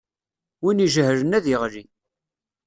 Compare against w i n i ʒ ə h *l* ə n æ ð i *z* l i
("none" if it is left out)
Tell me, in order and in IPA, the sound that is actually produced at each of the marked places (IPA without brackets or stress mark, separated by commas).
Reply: ɾ, ʁ